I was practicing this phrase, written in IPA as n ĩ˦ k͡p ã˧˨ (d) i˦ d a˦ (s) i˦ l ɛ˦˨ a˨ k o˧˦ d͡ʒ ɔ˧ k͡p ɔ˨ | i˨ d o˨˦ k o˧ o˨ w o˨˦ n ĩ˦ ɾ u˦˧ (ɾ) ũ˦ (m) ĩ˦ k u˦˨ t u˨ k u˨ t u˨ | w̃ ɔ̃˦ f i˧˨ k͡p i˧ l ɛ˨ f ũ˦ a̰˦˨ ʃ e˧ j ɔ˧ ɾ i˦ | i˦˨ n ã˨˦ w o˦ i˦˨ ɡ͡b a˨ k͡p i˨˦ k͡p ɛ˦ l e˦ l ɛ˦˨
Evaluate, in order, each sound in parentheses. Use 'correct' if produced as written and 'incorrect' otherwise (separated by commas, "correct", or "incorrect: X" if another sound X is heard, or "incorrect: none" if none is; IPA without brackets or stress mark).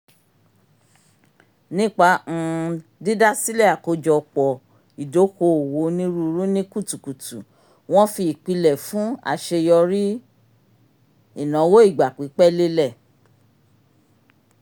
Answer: correct, correct, correct, incorrect: n